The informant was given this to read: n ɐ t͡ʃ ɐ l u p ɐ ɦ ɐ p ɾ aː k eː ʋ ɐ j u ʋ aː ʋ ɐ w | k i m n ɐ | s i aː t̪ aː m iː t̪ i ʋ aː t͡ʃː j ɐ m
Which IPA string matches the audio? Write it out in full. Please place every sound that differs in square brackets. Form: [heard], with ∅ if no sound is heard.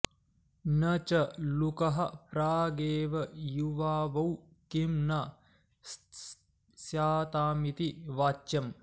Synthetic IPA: n ɐ t͡ʃ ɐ l u [k] ɐ ɦ ɐ p ɾ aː [ɡ] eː ʋ ɐ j u ʋ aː ʋ ɐ w | k i m n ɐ | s [j] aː t̪ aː m [i] t̪ i ʋ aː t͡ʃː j ɐ m

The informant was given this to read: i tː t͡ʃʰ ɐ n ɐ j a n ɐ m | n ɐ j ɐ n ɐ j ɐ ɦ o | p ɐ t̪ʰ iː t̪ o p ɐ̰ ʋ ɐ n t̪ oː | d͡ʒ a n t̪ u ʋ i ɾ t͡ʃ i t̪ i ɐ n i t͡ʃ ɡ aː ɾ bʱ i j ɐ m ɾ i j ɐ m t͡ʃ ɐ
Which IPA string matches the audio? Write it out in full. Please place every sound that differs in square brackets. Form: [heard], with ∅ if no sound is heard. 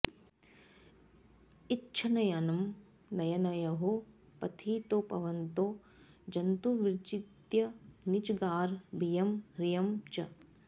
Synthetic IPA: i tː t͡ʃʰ ɐ n ɐ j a n ɐ m | n ɐ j ɐ n ɐ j ɐ ɦ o | p ɐ t̪ʰ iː t̪ o p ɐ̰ ʋ ɐ n t̪ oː | d͡ʒ [ɐ] n t̪ u ʋ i ɾ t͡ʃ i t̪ [j] ɐ n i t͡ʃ ɡ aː ɾ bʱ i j ɐ m ɾ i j ɐ m t͡ʃ ɐ

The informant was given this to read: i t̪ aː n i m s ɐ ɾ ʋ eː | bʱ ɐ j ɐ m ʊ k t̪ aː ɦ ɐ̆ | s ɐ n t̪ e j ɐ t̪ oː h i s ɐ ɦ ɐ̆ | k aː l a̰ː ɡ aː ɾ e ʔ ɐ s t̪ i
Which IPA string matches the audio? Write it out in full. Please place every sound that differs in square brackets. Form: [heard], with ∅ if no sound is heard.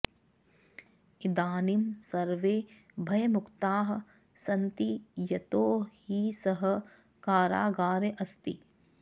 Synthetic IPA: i [d̪] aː n i m s ɐ ɾ ʋ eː | bʱ ɐ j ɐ m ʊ k t̪ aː ɦ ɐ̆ | s ɐ n t̪ [i] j ɐ t̪ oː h i s ɐ ɦ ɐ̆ | k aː [ɾ] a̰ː ɡ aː ɾ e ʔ ɐ s t̪ i

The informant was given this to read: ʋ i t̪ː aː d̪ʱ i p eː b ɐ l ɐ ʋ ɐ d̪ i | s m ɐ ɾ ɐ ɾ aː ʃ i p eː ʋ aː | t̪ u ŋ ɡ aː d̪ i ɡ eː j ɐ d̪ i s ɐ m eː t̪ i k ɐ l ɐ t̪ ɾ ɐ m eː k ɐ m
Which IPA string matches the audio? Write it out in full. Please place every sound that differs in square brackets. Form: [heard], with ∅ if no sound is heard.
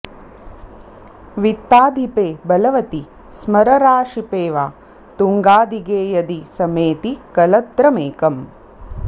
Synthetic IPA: ʋ i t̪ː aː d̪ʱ i p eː b ɐ l ɐ ʋ ɐ [t̪] i | s m ɐ ɾ ɐ ɾ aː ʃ i p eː ʋ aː | t̪ u ŋ ɡ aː d̪ i ɡ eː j ɐ d̪ i s ɐ m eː t̪ i k ɐ l ɐ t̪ ɾ ɐ m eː k ɐ m

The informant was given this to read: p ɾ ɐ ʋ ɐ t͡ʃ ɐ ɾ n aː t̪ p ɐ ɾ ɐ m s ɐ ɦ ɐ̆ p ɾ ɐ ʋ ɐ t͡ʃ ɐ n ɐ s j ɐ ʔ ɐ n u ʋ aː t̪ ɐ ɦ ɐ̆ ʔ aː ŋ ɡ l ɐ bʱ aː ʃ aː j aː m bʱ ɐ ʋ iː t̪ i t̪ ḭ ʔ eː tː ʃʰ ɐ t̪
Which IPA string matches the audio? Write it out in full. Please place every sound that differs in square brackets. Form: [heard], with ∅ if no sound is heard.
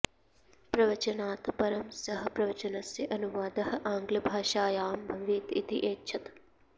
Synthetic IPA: p ɾ ɐ ʋ ɐ t͡ʃ ɐ [∅] n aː t̪ p ɐ ɾ ɐ m s ɐ ɦ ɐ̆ p ɾ ɐ ʋ ɐ t͡ʃ ɐ n ɐ s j ɐ ʔ ɐ n u ʋ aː [d̪] ɐ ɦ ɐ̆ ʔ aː ŋ ɡ l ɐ bʱ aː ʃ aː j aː m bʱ ɐ ʋ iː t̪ i t̪ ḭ ʔ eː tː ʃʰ ɐ t̪

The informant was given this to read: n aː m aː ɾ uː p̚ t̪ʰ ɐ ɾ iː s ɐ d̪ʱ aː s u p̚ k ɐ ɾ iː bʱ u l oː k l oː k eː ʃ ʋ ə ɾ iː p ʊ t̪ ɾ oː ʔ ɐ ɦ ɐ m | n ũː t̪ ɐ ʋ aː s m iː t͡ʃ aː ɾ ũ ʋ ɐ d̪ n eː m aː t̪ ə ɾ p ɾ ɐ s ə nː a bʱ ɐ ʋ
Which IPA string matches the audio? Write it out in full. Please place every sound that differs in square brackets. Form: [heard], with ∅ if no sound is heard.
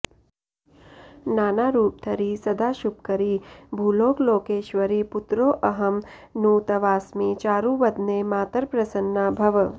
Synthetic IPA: n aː [n] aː ɾ uː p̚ t̪ʰ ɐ ɾ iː s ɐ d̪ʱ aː [ʃ] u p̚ k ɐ ɾ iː bʱ u l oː k l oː k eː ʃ ʋ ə ɾ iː p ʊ t̪ ɾ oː ʔ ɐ ɦ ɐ m | n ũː t̪ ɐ ʋ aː s m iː t͡ʃ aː ɾ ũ ʋ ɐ d̪ n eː m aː t̪ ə ɾ p ɾ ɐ s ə nː a bʱ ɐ ʋ

